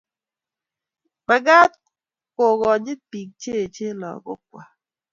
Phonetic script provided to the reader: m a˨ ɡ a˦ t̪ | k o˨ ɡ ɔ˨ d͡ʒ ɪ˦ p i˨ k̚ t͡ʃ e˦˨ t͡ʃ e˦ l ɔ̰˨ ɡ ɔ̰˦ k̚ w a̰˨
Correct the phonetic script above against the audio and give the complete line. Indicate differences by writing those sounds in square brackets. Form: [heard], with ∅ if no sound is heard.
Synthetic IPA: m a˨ ɡ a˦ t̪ | k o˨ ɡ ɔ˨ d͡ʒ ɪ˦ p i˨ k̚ t͡ʃ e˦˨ t͡ʃ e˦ l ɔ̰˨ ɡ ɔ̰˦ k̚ w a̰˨